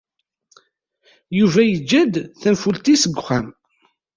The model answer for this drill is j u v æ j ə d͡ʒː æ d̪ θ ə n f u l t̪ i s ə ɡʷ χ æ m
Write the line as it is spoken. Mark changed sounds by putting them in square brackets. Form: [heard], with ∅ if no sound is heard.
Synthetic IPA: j u v æ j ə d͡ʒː æ d̪ θ ə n f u l t̪ i s ə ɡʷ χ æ m